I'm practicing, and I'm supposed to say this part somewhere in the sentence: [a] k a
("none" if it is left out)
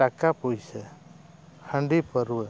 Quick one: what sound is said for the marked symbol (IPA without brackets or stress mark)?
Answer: a